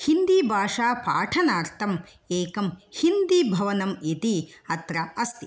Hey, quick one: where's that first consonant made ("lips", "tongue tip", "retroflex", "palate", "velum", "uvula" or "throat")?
throat